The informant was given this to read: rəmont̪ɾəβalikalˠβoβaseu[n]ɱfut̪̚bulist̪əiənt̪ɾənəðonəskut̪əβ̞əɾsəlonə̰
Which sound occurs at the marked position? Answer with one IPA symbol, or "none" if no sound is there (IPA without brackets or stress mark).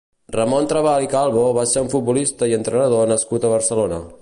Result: none